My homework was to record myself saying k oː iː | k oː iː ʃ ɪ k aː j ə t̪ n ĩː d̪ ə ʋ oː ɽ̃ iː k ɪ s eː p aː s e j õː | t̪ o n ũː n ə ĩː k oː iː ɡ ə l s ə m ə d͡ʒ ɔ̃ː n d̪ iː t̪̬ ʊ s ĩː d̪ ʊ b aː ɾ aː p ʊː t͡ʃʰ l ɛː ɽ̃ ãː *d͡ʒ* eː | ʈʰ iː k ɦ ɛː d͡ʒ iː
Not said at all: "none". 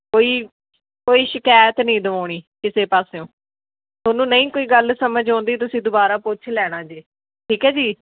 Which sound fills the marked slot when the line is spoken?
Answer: d͡ʒ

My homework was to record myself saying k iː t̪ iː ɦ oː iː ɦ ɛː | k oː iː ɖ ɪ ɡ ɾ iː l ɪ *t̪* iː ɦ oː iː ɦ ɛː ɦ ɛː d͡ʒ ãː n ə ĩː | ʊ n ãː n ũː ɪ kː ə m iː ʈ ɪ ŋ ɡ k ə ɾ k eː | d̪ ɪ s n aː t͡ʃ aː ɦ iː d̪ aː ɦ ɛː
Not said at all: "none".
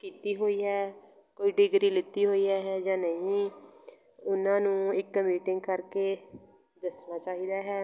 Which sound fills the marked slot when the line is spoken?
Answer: t̪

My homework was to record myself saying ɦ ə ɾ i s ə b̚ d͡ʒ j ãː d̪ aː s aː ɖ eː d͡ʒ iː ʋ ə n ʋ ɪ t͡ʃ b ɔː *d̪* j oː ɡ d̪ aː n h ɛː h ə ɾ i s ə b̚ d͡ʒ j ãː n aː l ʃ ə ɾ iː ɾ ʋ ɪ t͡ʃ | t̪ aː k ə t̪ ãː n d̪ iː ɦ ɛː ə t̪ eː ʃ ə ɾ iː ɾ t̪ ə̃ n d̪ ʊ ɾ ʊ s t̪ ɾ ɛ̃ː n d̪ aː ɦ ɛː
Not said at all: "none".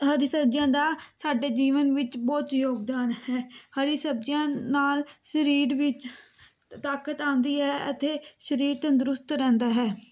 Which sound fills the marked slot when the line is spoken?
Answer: t̪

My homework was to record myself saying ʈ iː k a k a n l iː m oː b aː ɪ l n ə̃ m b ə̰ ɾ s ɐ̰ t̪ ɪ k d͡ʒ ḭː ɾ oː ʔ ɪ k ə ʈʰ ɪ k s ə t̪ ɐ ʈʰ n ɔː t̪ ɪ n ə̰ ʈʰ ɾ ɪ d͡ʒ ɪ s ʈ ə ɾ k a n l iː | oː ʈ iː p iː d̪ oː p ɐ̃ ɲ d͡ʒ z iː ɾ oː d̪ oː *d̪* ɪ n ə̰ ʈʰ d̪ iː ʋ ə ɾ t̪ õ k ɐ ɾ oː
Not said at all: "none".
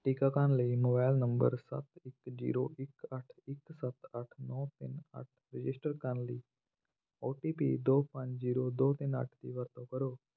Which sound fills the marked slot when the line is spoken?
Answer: t̪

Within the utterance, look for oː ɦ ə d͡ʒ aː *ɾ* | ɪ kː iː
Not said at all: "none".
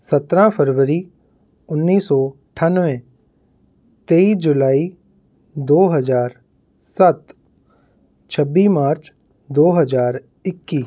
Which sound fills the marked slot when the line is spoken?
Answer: ɾ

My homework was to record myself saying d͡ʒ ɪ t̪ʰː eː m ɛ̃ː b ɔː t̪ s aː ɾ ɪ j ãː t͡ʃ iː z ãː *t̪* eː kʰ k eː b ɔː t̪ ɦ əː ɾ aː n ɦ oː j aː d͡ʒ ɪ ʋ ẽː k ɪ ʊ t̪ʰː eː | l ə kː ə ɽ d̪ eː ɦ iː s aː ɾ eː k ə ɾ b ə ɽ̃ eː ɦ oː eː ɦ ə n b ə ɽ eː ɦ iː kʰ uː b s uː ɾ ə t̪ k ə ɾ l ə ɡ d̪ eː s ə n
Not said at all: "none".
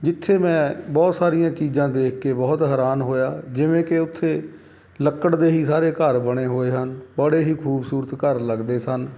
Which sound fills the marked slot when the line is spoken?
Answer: d̪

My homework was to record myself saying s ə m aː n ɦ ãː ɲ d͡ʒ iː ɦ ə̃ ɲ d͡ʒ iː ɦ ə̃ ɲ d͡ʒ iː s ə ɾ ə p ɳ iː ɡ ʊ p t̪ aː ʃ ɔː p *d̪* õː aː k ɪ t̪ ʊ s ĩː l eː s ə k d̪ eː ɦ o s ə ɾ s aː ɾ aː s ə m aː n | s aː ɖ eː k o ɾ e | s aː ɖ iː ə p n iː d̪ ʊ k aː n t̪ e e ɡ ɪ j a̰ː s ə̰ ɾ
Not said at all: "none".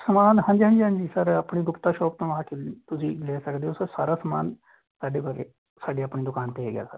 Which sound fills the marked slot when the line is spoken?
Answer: t̪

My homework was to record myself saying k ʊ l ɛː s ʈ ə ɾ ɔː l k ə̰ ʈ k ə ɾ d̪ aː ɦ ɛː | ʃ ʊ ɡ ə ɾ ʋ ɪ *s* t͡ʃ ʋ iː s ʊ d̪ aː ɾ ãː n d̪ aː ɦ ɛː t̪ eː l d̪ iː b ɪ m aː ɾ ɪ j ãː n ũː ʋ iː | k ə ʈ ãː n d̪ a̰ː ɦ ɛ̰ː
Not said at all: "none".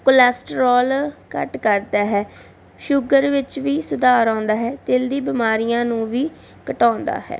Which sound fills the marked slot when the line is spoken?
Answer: none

